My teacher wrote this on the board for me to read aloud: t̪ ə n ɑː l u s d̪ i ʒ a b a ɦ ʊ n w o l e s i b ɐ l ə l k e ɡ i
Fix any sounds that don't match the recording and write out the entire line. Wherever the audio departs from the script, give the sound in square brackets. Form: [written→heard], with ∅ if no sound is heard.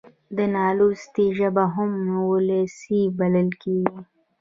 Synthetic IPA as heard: [t̪→d̪] ə n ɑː l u s [d̪→t̪] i ʒ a b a ɦ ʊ [n→m] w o l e s i b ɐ l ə l k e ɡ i

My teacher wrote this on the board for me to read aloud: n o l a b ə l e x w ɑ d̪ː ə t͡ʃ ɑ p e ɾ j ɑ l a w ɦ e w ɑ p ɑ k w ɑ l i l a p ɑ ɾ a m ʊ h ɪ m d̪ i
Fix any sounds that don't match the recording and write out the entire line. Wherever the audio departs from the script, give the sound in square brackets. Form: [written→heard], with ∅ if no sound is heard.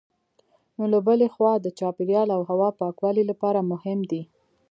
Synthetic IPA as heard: n o l a b ə l e x w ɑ [d̪ː→d̪] ə t͡ʃ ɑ p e ɾ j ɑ l a w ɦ [e→a] w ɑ p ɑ k w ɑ l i l a p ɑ ɾ a m ʊ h ɪ m d̪ i

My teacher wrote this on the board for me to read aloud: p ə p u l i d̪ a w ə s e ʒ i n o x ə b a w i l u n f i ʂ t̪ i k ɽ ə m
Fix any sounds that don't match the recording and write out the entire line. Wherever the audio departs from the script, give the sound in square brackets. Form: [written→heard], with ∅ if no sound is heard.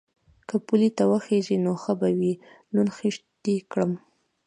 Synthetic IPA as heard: [p→k] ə p u l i [d̪→t̪] a w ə [s→x] e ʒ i n o x ə b a w i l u n [f→x] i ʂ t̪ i k ɽ ə m

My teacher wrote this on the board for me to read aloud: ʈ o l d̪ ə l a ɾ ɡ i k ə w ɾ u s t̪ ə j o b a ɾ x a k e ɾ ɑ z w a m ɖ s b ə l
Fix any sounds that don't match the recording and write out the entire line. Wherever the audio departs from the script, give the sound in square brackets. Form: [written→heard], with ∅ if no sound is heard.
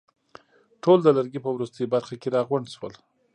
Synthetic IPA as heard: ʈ o l d̪ ə l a ɾ ɡ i [k→p] ə w ɾ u s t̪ ə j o b a ɾ x a k e ɾ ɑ [z→ɣ] w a [m→ɳ] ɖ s [b→w] ə l

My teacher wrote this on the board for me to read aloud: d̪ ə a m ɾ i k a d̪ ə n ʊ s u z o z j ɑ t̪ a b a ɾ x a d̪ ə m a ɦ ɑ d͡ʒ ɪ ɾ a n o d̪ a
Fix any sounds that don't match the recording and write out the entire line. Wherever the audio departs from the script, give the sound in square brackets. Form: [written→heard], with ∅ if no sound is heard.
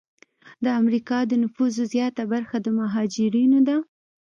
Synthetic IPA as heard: d̪ ə a m ɾ i k [a→ɑ] d̪ ə n ʊ [s→f] u z o z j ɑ t̪ a b a ɾ x a d̪ ə m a ɦ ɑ d͡ʒ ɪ ɾ [a→i] n o d̪ a

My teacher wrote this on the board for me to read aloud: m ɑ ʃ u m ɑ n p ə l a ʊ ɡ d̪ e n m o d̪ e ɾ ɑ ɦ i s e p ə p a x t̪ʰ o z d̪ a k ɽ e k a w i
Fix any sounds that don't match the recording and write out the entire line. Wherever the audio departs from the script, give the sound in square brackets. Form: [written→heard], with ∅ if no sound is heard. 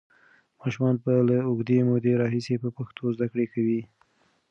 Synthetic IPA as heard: m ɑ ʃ u m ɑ n p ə l a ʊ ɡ d̪ e [n→∅] m o d̪ e ɾ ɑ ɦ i s e p ə p a x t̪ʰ o z d̪ a k ɽ e k a w i

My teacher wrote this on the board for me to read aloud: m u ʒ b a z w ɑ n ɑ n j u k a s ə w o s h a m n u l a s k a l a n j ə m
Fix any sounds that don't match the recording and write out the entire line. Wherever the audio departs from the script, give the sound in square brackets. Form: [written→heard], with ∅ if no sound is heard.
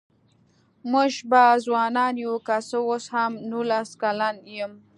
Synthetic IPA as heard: m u ʒ b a z w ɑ n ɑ n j u k a s ə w o s h a m n u l a s k a l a n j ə m

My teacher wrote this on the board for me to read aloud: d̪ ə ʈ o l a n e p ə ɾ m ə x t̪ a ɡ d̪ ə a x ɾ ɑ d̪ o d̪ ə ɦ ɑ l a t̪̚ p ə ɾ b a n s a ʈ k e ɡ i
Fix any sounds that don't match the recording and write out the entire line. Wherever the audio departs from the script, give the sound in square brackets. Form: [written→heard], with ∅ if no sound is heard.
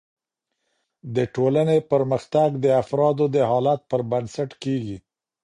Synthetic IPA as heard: d̪ ə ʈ o l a n e p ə ɾ m ə x t̪ a ɡ d̪ ə a [x→f] ɾ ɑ d̪ o d̪ ə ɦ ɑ l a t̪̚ p ə ɾ b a n s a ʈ k e ɡ i

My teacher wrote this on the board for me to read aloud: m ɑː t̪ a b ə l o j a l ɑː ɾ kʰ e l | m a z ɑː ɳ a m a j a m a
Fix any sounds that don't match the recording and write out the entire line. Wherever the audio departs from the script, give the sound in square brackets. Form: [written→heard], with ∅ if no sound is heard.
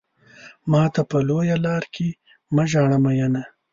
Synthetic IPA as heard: m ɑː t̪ a [b→p] ə l o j a l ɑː ɾ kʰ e [l→∅] | m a [z→ʒ] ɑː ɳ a m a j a [m→n] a

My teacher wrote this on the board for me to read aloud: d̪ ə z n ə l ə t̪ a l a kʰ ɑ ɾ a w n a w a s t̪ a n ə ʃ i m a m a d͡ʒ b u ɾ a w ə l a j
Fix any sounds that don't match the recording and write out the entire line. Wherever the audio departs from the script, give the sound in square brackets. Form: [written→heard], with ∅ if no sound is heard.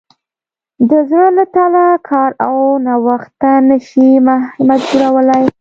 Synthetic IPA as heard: d̪ ə z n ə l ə t̪ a l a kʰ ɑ ɾ a w n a w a [s→x] t̪ a n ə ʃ i m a m a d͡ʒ b u ɾ a w ə l a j

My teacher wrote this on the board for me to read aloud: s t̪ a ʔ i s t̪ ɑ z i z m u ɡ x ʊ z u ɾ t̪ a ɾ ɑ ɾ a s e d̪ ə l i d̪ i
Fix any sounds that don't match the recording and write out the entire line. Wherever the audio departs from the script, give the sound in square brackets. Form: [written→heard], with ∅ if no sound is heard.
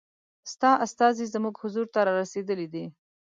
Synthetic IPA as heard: s t̪ [a→ɑ] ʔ [i→a] s t̪ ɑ z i z m u ɡ [x→h] ʊ z u ɾ t̪ a ɾ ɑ ɾ a s e d̪ ə l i d̪ i

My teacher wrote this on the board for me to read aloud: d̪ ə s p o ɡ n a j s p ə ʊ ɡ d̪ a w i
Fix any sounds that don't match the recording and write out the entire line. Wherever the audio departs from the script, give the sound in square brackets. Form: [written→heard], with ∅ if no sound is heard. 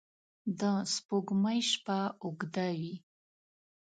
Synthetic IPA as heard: d̪ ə s p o ɡ [n→m] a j [s→ʃ] p [ə→a] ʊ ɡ d̪ a w i

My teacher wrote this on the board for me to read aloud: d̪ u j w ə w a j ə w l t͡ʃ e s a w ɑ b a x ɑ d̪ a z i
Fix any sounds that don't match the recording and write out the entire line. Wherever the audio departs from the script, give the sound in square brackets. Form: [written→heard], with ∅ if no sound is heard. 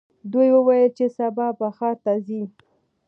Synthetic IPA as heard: d̪ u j w ə w a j ə [w→∅] l t͡ʃ e s a [w→b] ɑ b a x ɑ [d̪→t̪] a z i

